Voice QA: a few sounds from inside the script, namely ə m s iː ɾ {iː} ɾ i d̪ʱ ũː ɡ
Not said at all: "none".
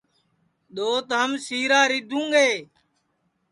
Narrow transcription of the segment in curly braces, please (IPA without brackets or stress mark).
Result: aː